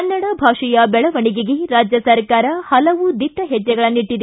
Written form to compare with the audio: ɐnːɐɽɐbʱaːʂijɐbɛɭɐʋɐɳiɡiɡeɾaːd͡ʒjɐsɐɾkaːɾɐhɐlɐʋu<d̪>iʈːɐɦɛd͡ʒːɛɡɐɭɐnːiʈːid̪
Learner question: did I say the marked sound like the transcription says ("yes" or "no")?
yes